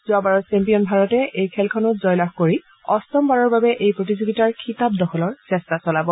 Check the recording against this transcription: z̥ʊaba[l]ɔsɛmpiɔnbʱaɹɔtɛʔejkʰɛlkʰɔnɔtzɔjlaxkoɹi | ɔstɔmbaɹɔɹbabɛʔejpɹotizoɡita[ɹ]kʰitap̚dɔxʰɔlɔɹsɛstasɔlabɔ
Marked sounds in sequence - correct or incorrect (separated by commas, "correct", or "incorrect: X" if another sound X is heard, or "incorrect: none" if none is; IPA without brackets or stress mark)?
incorrect: ɹ, correct